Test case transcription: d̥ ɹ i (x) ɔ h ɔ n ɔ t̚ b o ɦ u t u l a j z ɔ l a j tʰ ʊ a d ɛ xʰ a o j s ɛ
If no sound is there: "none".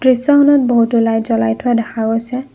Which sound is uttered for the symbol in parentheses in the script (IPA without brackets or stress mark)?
s